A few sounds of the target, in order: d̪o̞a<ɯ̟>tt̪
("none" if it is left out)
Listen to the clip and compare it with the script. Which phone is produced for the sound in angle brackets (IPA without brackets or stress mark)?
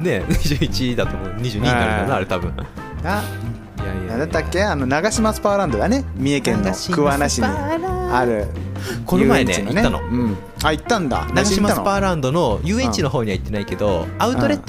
ɯ̟